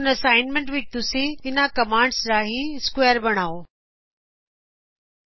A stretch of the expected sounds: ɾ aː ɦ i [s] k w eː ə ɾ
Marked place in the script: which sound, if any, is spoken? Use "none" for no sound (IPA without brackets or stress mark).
s